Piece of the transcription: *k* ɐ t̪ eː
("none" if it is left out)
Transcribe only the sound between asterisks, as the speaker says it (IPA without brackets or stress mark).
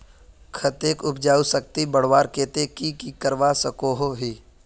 kʰ